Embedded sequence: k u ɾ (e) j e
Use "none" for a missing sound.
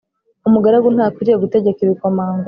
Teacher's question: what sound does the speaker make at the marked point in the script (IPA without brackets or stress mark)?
i